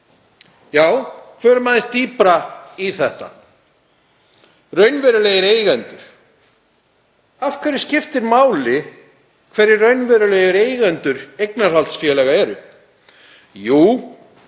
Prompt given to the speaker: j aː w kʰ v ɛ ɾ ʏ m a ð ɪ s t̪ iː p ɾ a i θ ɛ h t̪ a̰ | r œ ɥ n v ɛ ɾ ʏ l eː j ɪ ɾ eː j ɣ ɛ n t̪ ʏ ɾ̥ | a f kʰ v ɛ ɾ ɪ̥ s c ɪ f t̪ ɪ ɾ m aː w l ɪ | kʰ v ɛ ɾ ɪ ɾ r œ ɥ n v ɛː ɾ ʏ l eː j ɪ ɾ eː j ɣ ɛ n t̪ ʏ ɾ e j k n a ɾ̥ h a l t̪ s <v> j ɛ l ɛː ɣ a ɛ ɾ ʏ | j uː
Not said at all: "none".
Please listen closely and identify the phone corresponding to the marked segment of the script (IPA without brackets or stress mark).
f